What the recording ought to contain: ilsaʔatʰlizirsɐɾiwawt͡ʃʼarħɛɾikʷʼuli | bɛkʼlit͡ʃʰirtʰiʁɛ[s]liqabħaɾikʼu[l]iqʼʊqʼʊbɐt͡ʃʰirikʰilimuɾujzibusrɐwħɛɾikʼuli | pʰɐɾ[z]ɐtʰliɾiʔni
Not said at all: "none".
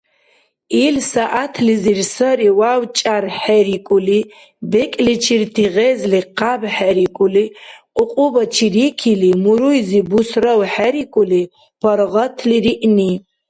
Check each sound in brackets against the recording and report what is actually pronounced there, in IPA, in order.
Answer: z, l, ʁ

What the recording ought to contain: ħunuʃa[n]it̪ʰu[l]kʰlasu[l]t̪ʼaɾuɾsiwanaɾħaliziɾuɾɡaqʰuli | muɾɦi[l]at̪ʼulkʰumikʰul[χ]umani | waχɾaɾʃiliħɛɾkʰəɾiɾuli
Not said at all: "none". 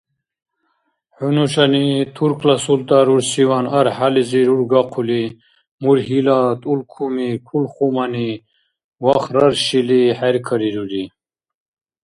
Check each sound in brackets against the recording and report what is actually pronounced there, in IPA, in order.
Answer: n, ɾ, l, l, χ

